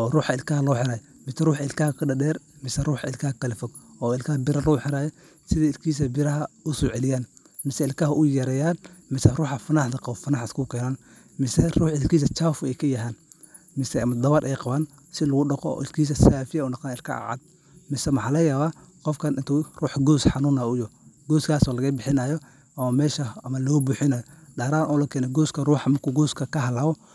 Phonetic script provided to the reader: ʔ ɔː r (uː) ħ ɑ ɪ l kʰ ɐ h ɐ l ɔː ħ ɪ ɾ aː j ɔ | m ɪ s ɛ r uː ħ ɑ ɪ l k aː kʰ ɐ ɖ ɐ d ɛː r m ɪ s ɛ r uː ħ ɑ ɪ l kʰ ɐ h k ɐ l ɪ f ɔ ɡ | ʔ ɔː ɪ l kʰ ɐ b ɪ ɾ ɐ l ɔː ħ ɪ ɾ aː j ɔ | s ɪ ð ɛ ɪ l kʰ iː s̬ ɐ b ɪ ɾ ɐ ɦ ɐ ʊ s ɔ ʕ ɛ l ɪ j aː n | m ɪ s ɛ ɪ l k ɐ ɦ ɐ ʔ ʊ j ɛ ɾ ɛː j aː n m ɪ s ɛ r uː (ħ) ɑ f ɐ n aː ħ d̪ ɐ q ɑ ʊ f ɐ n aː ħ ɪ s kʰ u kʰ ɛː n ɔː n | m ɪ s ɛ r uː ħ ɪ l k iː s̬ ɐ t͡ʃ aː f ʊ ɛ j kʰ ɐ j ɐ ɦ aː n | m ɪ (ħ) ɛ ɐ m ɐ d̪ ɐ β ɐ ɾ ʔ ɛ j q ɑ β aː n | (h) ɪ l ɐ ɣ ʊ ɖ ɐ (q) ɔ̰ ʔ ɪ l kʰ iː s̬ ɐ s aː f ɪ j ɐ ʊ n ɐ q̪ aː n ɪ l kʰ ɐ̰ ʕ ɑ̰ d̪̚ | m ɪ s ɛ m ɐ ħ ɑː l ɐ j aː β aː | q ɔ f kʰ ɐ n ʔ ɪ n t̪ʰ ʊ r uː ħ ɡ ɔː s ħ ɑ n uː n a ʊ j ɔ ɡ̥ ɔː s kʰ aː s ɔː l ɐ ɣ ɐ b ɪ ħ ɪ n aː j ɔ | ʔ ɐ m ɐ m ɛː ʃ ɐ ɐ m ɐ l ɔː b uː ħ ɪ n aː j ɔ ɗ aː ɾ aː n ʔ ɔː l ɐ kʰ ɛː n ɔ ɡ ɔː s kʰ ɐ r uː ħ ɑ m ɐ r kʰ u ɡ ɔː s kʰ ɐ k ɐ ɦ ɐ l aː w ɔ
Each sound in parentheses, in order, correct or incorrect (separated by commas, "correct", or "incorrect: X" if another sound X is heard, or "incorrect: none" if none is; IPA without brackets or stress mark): correct, correct, incorrect: s, incorrect: s, correct